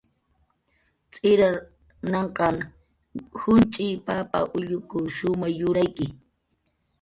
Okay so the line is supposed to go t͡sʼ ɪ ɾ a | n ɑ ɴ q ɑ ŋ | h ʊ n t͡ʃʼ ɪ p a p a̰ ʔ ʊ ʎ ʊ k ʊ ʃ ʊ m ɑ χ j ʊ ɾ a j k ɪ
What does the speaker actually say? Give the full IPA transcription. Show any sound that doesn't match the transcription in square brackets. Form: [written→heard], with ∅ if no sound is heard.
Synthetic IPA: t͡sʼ ɪ ɾ a | n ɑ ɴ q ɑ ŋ | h ʊ n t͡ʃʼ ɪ p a p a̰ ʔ ʊ ʎ ʊ k ʊ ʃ ʊ m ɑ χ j ʊ ɾ a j k ɪ